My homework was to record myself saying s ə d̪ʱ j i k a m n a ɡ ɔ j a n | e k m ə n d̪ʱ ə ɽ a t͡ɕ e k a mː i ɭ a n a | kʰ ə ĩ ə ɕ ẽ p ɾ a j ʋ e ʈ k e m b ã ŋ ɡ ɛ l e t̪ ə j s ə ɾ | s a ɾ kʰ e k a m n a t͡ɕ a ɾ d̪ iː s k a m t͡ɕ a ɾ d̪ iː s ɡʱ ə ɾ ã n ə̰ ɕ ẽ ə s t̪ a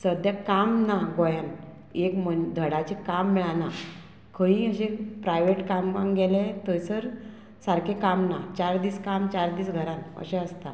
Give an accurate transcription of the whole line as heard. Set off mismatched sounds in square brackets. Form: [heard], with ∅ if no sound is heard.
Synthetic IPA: s ə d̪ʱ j [a] k a m n a ɡ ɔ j a n | e k m ə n d̪ʱ ə ɽ a t͡ɕ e k a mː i ɭ a n a | kʰ ə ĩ ə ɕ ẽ p ɾ a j ʋ e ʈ k [a] m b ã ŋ ɡ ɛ l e t̪ ə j s ə ɾ | s a ɾ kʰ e k a m n a t͡ɕ a ɾ d̪ iː s k a m t͡ɕ a ɾ d̪ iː s ɡʱ ə ɾ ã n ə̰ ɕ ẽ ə s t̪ a